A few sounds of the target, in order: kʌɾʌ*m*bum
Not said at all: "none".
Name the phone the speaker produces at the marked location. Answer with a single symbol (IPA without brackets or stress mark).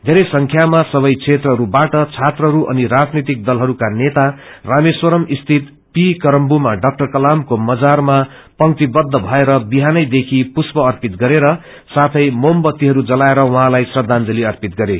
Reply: m